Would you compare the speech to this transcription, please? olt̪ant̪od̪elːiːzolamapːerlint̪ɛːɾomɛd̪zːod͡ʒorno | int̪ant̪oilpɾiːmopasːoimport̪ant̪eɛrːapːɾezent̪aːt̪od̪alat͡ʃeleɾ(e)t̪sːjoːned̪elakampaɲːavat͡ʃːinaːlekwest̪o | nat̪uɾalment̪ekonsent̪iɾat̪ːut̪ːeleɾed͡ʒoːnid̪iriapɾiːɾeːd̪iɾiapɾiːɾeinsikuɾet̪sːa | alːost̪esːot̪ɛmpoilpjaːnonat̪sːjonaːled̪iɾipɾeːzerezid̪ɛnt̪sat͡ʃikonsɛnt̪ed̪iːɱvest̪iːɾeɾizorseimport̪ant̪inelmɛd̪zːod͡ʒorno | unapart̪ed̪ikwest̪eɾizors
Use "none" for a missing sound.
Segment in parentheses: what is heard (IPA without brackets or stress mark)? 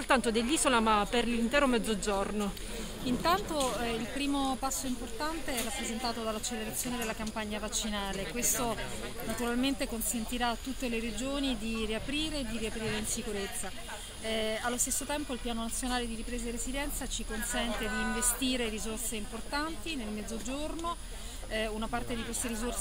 a